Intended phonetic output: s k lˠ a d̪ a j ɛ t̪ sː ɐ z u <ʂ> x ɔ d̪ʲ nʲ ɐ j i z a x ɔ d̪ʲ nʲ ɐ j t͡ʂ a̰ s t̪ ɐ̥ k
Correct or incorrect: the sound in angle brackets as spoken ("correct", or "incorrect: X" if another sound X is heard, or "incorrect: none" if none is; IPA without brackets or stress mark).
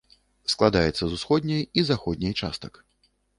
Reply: incorrect: s